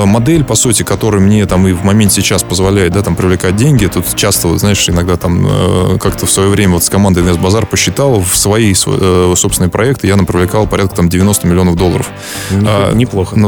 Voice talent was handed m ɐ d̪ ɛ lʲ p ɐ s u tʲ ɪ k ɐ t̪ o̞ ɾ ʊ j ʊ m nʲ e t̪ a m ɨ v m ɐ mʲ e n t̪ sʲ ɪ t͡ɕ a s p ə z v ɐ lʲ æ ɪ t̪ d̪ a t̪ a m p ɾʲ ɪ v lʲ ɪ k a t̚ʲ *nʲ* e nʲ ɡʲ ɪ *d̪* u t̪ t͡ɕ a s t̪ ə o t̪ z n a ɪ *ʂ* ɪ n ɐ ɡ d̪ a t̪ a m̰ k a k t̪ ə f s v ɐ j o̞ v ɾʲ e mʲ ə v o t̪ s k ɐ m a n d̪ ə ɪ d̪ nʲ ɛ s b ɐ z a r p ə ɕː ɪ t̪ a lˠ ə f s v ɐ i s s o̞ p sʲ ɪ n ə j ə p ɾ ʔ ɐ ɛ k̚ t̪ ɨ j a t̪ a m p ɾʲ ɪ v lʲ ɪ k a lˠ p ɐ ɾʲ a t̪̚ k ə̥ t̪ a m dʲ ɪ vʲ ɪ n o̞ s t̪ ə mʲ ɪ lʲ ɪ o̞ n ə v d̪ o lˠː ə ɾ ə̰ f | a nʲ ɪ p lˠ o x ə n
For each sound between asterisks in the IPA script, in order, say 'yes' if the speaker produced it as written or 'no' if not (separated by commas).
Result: no, no, yes